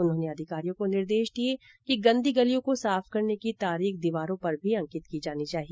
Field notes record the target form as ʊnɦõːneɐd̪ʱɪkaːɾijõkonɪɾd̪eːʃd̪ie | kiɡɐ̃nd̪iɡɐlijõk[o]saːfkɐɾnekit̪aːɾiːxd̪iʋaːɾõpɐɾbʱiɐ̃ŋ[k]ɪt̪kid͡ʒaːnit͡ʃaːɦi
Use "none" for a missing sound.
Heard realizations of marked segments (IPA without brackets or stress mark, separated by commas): o, k